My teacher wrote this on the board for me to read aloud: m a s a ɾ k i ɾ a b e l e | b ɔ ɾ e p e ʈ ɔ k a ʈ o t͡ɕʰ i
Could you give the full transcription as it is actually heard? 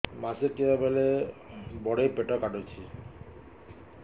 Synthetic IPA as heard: m a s e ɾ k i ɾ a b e l e | b ɔ ɽ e p e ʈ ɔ k a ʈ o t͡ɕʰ i